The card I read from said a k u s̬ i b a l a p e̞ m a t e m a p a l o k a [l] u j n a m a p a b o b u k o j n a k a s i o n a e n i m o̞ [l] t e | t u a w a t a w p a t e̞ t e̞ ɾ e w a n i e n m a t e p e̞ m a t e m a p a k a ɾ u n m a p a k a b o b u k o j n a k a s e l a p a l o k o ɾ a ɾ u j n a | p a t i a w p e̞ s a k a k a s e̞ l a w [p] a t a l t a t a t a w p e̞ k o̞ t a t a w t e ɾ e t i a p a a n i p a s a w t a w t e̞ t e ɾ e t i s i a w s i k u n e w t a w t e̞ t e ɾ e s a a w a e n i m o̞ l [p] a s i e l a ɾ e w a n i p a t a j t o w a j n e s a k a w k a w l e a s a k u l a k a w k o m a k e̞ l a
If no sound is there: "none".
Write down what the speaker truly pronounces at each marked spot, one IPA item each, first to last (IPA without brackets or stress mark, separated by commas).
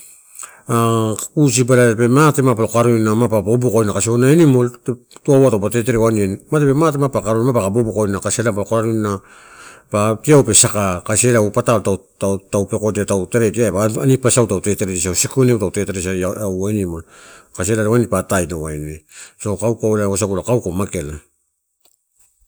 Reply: ɾ, l, p, k